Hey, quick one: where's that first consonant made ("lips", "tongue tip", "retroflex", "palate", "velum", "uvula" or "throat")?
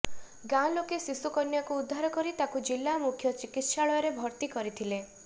velum